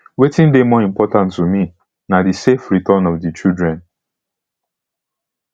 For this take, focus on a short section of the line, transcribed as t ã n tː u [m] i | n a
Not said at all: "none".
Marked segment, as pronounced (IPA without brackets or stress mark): m